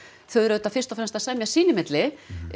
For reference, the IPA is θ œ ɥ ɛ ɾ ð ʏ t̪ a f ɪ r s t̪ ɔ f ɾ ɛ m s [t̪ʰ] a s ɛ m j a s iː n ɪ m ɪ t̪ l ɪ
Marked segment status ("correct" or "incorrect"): incorrect